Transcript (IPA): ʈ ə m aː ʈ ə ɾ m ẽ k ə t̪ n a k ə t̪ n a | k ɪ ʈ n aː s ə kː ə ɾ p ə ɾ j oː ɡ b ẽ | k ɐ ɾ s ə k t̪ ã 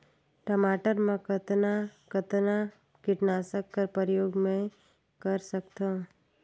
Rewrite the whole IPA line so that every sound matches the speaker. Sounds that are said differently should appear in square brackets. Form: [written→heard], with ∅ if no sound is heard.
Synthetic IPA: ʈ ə m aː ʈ ə ɾ m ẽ k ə t̪ n a k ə t̪ n a | k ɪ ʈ n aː s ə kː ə ɾ p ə ɾ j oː ɡ [b→m] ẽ | k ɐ ɾ s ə k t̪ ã